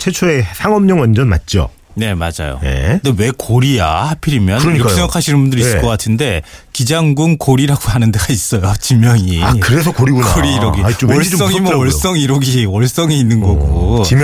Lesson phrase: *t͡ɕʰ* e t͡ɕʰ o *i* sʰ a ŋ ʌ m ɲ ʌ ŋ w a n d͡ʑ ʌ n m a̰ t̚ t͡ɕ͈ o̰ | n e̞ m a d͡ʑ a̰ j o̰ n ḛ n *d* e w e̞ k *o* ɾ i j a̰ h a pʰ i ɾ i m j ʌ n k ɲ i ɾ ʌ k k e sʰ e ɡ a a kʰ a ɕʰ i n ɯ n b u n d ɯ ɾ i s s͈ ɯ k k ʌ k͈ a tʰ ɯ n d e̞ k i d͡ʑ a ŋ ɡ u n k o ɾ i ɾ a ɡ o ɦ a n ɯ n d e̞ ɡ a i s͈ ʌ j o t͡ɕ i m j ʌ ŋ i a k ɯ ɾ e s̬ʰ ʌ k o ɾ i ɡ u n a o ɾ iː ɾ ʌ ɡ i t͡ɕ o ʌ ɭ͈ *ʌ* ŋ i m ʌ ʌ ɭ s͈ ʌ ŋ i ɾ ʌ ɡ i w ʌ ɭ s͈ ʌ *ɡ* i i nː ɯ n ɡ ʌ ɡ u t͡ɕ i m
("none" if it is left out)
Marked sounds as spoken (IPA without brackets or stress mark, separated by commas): t͡ɕʰ, e, d, o, ʌ, ŋ